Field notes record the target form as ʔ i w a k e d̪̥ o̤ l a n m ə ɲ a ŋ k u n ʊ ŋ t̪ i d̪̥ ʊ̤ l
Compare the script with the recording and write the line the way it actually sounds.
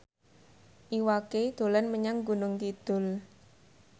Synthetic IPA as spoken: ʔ i w a k e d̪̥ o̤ l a n m ə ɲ a ŋ ɡ u n ʊ ŋ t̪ i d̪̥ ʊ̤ l